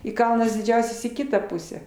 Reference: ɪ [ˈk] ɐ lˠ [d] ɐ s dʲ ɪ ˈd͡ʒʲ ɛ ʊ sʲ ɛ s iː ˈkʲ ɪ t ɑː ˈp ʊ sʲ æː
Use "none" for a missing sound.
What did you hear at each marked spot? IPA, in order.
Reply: k, n

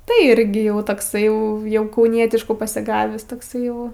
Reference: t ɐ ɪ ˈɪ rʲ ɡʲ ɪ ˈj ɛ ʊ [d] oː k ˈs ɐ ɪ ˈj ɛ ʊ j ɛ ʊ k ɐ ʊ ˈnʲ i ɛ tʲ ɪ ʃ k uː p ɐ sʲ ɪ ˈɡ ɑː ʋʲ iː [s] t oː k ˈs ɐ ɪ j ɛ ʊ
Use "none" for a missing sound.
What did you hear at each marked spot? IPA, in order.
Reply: t, s

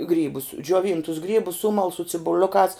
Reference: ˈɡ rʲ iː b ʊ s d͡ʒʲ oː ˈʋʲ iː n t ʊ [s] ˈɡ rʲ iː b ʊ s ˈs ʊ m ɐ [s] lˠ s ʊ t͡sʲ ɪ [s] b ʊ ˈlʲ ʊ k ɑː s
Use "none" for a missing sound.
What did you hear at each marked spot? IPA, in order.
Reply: s, none, none

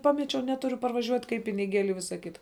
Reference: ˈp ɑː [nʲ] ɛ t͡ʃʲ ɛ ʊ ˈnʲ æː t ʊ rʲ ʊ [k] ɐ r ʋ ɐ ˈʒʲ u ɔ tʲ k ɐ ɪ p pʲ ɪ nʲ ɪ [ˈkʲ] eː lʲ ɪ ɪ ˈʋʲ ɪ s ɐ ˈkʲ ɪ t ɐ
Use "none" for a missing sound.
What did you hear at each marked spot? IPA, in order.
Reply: mʲ, p, ɡʲ

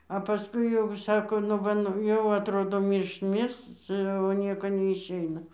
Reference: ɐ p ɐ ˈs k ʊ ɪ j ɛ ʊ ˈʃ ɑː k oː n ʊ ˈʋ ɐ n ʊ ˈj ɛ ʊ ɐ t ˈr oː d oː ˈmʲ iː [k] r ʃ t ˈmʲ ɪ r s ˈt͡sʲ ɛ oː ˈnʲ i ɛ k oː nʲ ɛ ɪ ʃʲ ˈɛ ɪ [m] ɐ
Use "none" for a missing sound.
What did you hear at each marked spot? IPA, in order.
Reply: none, n

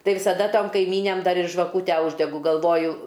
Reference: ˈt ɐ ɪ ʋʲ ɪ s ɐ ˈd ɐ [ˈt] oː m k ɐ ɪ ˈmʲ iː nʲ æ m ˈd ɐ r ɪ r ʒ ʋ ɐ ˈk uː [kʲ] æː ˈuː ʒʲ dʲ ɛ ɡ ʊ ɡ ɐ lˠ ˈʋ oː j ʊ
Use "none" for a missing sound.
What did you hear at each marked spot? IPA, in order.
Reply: t, tʲ

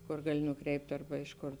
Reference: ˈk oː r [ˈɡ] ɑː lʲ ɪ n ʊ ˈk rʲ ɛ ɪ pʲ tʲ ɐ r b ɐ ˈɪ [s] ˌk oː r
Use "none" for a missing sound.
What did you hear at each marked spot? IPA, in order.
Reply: ɡ, ʃ

